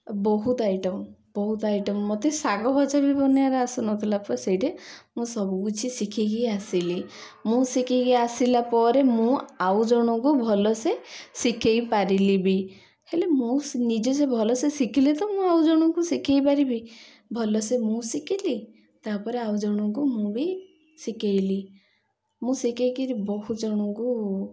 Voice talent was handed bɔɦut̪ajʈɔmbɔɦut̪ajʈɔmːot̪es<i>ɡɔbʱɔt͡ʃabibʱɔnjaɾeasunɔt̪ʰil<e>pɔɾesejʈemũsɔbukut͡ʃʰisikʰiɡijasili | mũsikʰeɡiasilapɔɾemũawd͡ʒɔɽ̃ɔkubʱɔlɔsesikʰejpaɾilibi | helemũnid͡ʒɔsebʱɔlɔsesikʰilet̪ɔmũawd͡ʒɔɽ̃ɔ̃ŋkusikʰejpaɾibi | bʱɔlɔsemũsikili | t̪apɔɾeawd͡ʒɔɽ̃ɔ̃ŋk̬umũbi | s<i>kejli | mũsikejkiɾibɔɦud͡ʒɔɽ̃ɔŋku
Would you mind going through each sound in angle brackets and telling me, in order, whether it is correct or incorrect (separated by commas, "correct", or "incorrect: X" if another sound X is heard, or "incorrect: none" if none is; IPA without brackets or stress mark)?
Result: incorrect: a, incorrect: a, correct